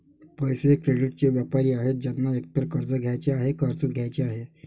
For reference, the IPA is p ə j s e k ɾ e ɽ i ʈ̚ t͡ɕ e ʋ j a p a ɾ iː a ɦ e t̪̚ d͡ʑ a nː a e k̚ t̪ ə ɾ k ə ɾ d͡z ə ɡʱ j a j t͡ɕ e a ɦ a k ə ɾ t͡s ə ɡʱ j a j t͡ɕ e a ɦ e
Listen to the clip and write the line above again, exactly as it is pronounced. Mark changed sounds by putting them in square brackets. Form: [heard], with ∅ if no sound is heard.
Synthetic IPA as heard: p ə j s e k ɾ e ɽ i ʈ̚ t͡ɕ e ʋ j a p a ɾ iː a ɦ e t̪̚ d͡ʑ a nː a e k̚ t̪ ə ɾ k ə ɾ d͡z ə ɡʱ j a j t͡ɕ e a ɦ [e] k ə ɾ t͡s ə ɡʱ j a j t͡ɕ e a ɦ e